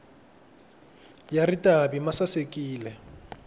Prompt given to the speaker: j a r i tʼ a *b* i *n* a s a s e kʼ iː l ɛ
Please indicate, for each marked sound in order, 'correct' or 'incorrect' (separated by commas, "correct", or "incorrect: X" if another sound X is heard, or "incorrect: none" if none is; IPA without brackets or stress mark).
correct, incorrect: m